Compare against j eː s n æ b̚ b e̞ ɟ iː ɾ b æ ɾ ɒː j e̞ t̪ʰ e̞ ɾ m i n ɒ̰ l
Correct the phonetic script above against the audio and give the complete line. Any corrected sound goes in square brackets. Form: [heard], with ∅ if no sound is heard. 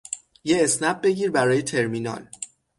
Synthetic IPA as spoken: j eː s n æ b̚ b e̞ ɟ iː ɾ b æ ɾ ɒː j e̞ t̪ʰ e̞ ɾ m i n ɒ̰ l

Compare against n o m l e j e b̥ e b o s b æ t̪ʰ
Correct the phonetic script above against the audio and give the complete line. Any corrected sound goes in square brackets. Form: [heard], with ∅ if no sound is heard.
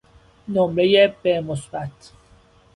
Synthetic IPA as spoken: n o m [ɾ] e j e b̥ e [m] o s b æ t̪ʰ

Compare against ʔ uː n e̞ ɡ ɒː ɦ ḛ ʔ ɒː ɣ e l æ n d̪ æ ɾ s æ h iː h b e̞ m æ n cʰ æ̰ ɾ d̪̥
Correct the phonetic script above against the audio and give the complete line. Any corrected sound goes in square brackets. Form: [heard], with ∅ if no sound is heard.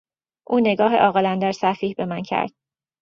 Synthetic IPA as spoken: ʔ uː n e̞ ɡ ɒː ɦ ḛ ʔ ɒː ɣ e l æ n d̪ æ ɾ s æ [f] iː h b e̞ m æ n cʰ æ̰ ɾ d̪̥

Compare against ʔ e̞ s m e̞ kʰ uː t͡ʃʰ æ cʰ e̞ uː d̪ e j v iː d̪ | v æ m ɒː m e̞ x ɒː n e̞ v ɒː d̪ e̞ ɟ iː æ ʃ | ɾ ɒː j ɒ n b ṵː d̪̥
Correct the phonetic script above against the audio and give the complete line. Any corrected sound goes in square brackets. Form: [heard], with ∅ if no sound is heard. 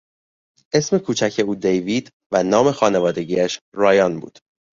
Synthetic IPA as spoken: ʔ e̞ s m e̞ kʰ uː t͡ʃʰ æ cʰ e̞ uː d̪ e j v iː d̪ | v æ [n] ɒː m e̞ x ɒː n e̞ v ɒː d̪ e̞ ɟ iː æ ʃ | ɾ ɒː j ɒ n b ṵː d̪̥

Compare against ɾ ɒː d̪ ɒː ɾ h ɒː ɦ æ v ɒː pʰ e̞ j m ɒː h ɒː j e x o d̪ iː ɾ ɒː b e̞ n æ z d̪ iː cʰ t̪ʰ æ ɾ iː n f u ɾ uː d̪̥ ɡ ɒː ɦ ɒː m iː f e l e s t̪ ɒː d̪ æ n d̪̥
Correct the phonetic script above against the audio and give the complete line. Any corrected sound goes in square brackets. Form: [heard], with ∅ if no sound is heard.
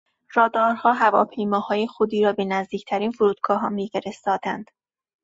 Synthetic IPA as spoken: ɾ ɒː d̪ ɒː ɾ h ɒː ɦ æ v ɒː pʰ e̞ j m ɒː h ɒː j e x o d̪ iː ɾ ɒː b e̞ n æ z d̪ iː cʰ t̪ʰ æ ɾ iː n f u ɾ uː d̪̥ ɡ ɒː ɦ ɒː m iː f e [ɾ] e s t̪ ɒː d̪ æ n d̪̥

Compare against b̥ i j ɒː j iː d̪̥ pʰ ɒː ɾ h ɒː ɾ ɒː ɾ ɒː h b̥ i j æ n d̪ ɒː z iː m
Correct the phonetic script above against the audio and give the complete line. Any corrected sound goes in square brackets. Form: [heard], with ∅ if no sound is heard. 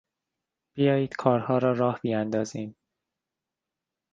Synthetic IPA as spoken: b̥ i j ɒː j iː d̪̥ [kʰ] ɒː ɾ h ɒː ɾ ɒː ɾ ɒː h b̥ i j æ n d̪ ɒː z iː m

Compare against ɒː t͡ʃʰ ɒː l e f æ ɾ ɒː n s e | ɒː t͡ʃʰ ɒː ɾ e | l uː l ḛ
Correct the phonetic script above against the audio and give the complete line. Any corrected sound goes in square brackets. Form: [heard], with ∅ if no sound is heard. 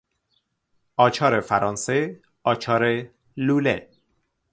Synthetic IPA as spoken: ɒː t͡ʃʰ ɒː [ɾ] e f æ ɾ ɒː n s e | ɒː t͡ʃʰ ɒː ɾ e | l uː l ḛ

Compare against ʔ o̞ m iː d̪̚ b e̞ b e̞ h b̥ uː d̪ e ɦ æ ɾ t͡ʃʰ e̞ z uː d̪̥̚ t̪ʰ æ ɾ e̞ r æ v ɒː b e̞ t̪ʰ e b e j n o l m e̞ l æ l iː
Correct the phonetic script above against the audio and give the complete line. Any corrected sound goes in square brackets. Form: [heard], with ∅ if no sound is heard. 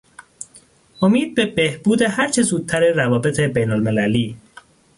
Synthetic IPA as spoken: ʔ o̞ m iː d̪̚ b e̞ b e̞ h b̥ uː d̪ e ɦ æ ɾ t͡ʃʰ e̞ z uː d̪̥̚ t̪ʰ æ ɾ e̞ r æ v ɒː b e̞ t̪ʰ e b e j n o l m e̞ l æ l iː

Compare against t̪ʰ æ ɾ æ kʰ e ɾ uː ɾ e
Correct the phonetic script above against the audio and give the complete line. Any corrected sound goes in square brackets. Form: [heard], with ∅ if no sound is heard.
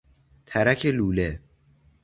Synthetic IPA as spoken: t̪ʰ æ ɾ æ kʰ e [l] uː [l] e

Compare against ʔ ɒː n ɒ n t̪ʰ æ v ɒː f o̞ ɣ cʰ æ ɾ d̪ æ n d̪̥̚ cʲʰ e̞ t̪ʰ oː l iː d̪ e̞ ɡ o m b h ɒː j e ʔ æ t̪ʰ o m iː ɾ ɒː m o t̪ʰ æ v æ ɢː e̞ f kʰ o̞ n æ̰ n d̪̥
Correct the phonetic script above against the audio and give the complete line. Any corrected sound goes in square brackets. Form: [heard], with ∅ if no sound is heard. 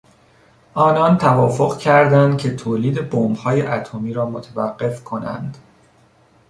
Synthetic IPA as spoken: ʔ ɒː n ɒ n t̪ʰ æ v ɒː f o̞ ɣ cʰ æ ɾ d̪ æ n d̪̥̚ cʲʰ e̞ t̪ʰ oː l iː d̪ e̞ [b] o m b h ɒː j e ʔ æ t̪ʰ o m iː ɾ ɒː m o t̪ʰ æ v æ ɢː e̞ f kʰ o̞ n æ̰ n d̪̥

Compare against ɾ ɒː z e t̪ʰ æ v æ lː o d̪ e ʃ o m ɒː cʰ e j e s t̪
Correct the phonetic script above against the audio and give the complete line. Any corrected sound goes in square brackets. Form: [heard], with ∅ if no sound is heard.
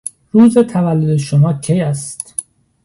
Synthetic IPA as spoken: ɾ [uː] z e t̪ʰ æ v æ lː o d̪ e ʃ o m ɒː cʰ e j [æ] s t̪

